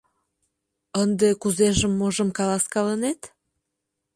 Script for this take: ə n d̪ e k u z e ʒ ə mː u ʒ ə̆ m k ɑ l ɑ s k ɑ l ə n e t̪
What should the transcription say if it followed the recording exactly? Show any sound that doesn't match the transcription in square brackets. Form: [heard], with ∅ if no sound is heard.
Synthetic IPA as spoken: ə n d̪ e k u z e ʒ ə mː [o] ʒ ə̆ m k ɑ l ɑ s k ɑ l ə n e t̪